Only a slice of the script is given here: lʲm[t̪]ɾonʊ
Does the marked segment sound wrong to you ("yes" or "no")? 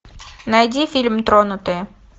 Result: no